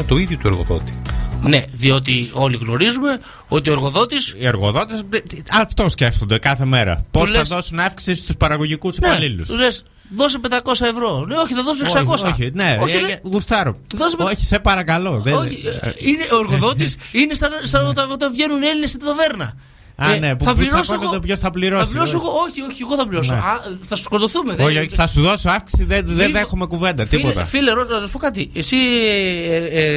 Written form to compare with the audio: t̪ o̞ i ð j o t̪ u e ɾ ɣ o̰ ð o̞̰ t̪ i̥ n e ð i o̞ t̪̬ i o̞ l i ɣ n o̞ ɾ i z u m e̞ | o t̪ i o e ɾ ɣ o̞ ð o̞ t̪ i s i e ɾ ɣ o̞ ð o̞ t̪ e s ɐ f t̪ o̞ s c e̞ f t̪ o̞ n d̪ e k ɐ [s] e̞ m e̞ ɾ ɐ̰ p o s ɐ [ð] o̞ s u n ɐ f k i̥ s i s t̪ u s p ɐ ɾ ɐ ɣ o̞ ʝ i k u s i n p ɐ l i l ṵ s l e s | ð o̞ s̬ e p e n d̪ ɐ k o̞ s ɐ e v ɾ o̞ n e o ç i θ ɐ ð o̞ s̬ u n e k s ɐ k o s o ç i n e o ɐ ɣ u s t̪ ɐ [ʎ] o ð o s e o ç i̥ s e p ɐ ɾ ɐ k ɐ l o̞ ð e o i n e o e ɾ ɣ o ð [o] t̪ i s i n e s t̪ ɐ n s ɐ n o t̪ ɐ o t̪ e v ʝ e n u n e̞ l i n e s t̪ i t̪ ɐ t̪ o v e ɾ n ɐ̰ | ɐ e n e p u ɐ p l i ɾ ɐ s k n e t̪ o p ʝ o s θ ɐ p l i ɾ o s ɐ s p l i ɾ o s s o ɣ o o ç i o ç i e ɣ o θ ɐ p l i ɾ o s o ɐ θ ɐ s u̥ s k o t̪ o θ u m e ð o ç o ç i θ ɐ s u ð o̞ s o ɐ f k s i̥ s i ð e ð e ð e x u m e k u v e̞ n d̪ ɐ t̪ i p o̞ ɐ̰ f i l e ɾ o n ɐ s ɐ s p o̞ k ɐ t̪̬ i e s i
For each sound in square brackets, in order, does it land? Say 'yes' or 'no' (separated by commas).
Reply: no, yes, no, yes